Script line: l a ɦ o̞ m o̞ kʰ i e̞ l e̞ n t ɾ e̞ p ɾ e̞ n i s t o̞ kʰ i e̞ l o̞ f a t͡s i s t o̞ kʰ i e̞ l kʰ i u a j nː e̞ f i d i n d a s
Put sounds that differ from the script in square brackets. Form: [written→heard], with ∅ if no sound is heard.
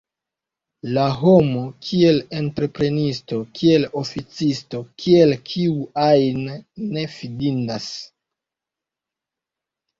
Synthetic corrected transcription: l a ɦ o̞ m o̞ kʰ i e̞ l e̞ n t ɾ e̞ p ɾ e̞ n i s t o̞ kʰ i e̞ l o̞ f [a→i] t͡s i s t o̞ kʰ i e̞ l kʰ i u a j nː e̞ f i d i n d a s